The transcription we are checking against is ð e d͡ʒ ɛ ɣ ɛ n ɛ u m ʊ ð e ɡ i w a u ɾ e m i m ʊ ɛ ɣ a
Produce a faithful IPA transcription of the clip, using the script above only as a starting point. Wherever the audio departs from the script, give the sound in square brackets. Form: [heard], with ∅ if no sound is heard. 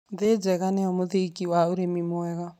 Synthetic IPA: ð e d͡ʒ ɛ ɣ [a] n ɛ [ɔ] m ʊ ð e [k] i w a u ɾ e m i m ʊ ɛ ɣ a